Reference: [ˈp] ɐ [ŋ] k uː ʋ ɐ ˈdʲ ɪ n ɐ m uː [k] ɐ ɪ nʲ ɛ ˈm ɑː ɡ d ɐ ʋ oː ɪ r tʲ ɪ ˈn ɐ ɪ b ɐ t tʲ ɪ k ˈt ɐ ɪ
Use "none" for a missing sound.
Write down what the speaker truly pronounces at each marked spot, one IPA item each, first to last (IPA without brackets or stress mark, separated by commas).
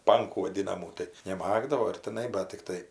p, ŋ, t